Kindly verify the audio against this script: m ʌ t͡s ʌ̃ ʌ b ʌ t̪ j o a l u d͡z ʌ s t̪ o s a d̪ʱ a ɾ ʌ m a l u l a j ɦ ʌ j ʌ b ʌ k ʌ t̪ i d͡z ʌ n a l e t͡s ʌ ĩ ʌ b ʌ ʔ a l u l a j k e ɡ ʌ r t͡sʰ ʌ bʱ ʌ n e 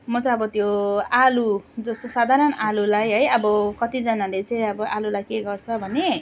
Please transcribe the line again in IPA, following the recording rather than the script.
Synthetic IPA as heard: m ʌ t͡s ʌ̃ ʌ b ʌ t̪ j o a l u d͡z ʌ s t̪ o s a d̪ʱ a ɾ ʌ n a l u l a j ɦ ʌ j ʌ b ʌ k ʌ t̪ i d͡z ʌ n a l e t͡s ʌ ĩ ʌ b ʌ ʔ a l u l a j k e ɡ ʌ r t͡sʰ ʌ bʱ ʌ n e

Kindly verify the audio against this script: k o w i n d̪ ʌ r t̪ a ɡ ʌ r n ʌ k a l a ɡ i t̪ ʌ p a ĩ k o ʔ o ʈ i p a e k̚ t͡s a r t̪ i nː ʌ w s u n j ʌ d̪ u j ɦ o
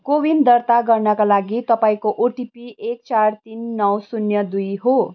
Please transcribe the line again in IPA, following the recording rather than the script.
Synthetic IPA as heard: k o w i n d̪ ʌ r t̪ a ɡ ʌ r n ʌ k a l a ɡ i t̪ ʌ p a ĩ k o ʔ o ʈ i p i e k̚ t͡s a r t̪ i nː ʌ w s u n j ʌ d̪ u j ɦ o

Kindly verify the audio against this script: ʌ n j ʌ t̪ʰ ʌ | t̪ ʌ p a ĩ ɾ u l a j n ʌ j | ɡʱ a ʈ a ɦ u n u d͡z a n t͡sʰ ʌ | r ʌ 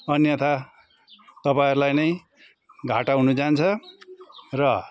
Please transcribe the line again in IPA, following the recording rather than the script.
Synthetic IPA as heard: ʌ n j ʌ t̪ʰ a | t̪ ʌ p a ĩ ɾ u l a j n ʌ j | ɡʱ a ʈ a ɦ u n u d͡z a n t͡sʰ ʌ | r ʌ

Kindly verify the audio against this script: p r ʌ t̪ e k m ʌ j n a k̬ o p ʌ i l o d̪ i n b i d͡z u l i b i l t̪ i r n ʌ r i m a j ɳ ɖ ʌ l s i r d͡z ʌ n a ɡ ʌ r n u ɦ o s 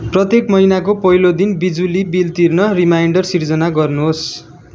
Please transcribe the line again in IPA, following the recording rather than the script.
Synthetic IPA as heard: p r ʌ t̪ e k m ʌ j n a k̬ o p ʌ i l o d̪ i n b i d͡z u l i b i l t̪ i r n ʌ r i m a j ɳ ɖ ʌ r s i r d͡z ʌ n a ɡ ʌ r n u ɦ o s

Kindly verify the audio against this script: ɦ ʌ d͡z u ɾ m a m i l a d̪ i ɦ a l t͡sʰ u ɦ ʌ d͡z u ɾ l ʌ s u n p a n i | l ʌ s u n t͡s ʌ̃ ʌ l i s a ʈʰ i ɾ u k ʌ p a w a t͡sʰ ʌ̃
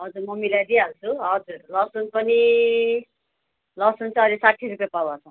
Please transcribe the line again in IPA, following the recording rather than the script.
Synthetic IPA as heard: ɦ ʌ d͡z u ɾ m ʌ m i l a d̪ i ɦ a l t͡sʰ u ɦ ʌ d͡z u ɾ l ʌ s u n p ʌ n i | l ʌ s u n t͡s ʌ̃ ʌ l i s a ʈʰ i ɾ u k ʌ p a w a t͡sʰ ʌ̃

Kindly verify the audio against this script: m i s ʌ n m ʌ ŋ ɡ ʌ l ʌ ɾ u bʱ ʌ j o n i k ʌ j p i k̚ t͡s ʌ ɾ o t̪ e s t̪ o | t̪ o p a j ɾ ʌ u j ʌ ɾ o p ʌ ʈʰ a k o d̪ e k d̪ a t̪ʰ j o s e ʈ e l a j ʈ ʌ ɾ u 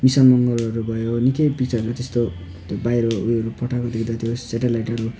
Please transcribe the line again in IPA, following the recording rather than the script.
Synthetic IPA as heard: m i s ʌ n m ʌ ŋ ɡ ʌ l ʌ ɾ u bʱ ʌ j o n i k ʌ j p i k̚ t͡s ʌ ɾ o t̪ e s t̪ o | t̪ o b a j ɾ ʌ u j ʌ ɾ u p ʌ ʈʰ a k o d̪ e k d̪ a t̪ʰ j o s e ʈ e l a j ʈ ʌ ɾ u

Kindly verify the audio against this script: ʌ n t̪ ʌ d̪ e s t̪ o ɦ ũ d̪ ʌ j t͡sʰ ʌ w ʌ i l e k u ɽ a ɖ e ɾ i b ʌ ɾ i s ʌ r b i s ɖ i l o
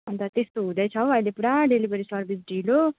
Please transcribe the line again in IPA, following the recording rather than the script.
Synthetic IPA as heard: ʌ n t̪ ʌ t̪ e s t̪ o ɦ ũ d̪ ʌ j t͡sʰ ʌ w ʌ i l e p u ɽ a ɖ e l i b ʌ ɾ i s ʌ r b i s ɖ i l o

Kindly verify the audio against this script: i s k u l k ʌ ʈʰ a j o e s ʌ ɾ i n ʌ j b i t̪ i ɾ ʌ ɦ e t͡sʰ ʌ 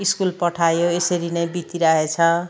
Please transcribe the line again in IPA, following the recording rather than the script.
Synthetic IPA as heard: i s k u l p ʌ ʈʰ a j o e s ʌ ɾ i n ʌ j b i t̪ i ɾ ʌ ɦ e t͡sʰ ʌ

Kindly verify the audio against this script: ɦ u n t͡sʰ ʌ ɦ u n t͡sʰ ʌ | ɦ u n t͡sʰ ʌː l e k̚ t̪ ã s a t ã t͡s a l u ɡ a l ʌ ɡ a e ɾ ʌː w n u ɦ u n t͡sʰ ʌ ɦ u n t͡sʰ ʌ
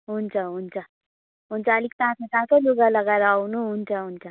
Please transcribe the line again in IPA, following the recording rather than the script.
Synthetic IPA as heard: ɦ u n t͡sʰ ʌ ɦ u n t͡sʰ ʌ | ɦ u n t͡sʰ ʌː l i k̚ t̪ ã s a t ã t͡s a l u ɡ a l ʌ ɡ a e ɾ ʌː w n u ɦ u n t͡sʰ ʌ ɦ u n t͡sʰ ʌ

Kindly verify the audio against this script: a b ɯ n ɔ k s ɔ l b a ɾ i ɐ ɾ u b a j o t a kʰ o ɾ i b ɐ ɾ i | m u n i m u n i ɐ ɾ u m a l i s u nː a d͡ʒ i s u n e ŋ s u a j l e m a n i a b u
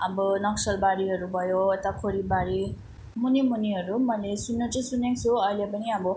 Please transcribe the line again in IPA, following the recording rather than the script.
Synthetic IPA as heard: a b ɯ n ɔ k s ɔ l b a ɾ i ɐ ɾ u b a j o t a kʰ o ɾ i b a ɾ i | m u n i m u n i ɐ ɾ u m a l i s u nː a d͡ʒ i s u n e ŋ s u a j l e b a n i a b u

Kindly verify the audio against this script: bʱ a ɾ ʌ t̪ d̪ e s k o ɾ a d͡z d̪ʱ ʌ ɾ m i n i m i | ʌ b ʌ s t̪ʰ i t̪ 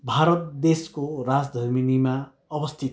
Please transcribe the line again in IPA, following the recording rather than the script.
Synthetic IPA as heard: bʱ a ɾ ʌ t̪ d̪ e s k o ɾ a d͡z d̪ʱ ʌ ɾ m i n i m a | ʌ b ʌ s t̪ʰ i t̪

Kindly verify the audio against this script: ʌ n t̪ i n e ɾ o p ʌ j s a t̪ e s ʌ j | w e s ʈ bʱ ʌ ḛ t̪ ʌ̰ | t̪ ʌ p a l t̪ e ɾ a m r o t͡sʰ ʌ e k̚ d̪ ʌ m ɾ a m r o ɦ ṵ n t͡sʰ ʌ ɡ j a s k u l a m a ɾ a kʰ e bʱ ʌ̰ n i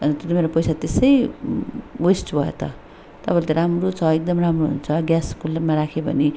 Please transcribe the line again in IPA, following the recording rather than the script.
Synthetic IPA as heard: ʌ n t̪ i m e ɾ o p ʌ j s a t̪ e s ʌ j | w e s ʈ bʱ ʌ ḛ t̪ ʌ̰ | t̪ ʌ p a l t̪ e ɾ a m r o t͡sʰ ʌ e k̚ d̪ ʌ m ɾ a m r o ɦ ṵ n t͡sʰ ʌ ɡ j a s k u l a m a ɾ a kʰ e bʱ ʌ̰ n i

